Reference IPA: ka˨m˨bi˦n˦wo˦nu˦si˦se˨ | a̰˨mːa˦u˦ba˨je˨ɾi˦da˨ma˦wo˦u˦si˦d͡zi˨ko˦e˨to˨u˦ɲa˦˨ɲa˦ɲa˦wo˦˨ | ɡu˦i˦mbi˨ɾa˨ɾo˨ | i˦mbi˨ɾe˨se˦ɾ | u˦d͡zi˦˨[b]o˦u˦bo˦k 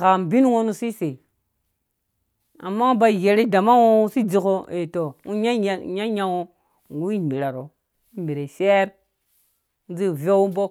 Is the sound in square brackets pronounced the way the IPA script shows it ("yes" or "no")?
no